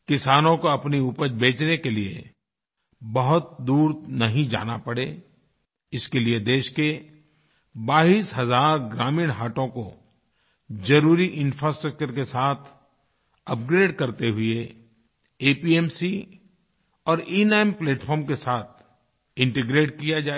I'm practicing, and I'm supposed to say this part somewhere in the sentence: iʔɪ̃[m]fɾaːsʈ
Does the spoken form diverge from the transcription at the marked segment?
yes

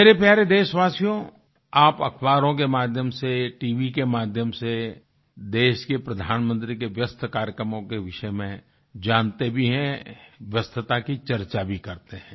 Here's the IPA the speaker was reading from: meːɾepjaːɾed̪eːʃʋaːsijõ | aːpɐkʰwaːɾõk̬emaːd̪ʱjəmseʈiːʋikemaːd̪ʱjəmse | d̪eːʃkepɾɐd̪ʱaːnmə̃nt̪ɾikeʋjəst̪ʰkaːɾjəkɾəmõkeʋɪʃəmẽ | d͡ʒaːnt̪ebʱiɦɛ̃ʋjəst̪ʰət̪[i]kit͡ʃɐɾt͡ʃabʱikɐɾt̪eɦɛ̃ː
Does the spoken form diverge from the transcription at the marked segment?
yes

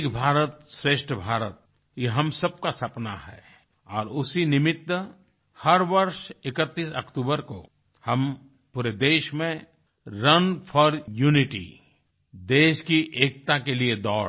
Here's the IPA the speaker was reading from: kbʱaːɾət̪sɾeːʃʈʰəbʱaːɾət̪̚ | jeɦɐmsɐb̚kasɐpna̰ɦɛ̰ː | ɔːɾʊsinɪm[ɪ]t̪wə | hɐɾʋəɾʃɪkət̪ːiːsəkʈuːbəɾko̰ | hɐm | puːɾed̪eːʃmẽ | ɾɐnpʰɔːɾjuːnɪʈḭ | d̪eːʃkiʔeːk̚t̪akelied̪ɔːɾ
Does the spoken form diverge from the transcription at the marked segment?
no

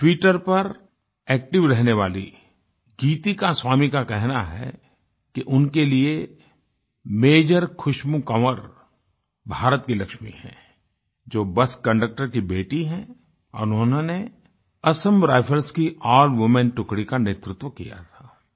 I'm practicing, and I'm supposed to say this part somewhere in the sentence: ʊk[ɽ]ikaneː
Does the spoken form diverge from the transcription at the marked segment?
no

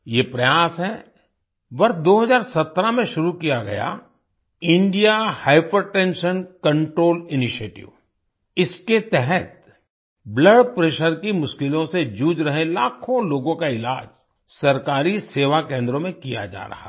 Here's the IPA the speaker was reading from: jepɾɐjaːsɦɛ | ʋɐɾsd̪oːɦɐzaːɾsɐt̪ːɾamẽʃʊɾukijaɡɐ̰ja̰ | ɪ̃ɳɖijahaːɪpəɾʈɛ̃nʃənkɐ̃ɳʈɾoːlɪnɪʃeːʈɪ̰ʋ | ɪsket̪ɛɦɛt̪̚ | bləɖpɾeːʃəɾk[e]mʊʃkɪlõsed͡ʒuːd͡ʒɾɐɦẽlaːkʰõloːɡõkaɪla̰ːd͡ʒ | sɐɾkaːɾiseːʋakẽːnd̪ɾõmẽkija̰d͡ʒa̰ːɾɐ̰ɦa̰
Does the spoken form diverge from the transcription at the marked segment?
yes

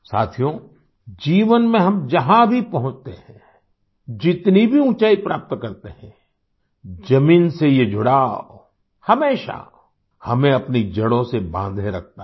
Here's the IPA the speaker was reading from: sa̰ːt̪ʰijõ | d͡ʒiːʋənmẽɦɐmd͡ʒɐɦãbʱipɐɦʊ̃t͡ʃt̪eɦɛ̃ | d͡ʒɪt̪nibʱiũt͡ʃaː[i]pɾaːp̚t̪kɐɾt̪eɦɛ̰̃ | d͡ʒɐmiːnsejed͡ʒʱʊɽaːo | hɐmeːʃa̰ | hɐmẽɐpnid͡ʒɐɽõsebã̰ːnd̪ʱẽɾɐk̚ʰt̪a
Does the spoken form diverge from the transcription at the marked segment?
no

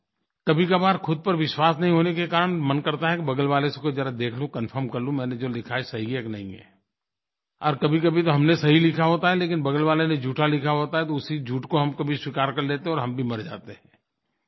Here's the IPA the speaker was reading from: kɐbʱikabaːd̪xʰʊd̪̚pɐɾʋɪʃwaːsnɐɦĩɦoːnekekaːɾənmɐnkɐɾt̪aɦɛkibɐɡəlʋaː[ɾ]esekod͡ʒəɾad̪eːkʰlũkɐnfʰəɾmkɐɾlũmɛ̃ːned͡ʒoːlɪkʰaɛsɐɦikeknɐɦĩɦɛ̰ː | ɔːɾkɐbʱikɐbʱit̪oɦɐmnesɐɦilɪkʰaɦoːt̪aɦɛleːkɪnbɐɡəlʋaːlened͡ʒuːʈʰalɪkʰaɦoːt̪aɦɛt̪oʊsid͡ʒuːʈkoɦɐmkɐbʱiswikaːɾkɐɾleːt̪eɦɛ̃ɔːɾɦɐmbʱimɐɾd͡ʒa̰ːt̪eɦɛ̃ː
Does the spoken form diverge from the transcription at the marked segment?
yes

